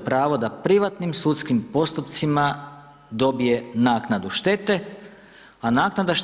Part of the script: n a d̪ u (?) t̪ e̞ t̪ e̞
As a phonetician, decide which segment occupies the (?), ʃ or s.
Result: ʃ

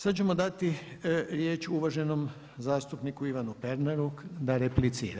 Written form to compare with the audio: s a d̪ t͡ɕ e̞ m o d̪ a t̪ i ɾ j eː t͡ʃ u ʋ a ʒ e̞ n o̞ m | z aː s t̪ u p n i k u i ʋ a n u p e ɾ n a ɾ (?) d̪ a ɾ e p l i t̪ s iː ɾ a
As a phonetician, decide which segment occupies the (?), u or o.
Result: u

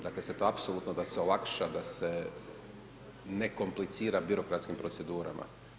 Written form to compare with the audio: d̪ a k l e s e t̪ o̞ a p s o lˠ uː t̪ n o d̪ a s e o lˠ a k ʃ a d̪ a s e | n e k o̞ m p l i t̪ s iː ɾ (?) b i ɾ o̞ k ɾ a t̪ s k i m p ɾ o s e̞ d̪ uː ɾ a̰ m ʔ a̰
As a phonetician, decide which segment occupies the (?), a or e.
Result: a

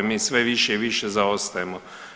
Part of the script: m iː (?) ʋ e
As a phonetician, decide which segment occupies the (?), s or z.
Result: s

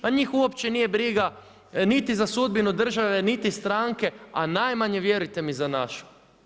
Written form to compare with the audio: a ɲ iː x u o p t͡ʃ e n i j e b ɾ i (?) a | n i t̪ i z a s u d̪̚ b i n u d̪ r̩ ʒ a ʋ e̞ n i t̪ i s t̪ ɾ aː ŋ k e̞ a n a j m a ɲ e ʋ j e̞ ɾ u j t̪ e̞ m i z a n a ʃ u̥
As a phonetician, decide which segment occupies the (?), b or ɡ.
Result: ɡ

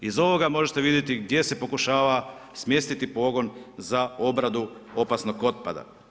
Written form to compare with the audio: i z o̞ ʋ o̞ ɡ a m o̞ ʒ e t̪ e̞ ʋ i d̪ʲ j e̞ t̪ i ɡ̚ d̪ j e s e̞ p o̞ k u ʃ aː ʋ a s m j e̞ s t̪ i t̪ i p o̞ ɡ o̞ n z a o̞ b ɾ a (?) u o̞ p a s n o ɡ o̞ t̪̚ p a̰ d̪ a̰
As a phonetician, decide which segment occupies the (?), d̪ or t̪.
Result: d̪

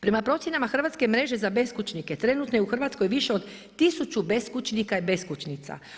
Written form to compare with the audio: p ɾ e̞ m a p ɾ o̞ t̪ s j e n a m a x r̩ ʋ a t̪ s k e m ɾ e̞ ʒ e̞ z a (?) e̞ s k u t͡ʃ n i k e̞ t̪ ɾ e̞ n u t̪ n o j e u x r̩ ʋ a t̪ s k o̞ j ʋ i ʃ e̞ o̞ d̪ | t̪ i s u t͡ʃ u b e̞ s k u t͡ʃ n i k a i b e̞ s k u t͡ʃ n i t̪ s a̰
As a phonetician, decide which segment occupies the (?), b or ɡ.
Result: b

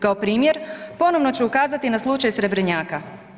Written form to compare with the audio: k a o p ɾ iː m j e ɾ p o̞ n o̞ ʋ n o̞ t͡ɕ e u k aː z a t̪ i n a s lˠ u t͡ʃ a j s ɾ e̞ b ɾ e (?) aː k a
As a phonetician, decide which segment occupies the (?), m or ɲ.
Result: ɲ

